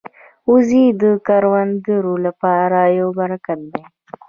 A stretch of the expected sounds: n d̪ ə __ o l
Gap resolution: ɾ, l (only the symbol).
ɾ